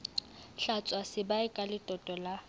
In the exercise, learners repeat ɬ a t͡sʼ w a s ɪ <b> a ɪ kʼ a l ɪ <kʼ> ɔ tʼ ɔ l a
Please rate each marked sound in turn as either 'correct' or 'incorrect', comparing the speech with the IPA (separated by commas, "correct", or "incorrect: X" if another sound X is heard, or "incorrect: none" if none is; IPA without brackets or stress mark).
correct, incorrect: tʼ